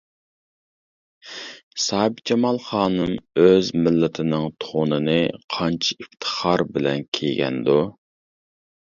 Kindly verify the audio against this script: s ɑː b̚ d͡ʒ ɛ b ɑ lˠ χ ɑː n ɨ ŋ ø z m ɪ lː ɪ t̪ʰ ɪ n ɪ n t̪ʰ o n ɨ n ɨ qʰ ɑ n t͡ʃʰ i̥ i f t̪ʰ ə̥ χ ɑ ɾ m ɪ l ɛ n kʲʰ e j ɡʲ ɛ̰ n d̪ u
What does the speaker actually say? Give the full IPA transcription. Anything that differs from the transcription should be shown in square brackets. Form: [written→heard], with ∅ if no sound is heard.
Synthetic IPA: s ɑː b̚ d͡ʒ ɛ [b→m] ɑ lˠ χ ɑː n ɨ [ŋ→m] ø z m ɪ lː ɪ t̪ʰ ɪ n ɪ [n→ŋ] t̪ʰ o n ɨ n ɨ qʰ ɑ n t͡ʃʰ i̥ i f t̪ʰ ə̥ χ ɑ ɾ [m→b] ɪ l ɛ n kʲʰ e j ɡʲ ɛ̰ n d̪ u